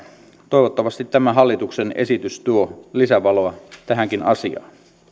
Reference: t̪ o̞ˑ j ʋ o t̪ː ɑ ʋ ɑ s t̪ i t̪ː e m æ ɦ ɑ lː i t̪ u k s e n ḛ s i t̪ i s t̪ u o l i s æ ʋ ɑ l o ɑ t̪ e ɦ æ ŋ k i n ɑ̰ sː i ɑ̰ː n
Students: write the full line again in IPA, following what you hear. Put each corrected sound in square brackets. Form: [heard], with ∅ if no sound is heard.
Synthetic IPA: t̪ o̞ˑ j ʋ o t̪ː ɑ ʋ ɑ s t̪ i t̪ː [æ] m æ ɦ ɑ lː i t̪ u k s e n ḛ s i t̪ [y] s t̪ u o l i s æ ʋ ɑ l o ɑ t̪ [æ] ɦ æ ŋ k i n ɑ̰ [s] i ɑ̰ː n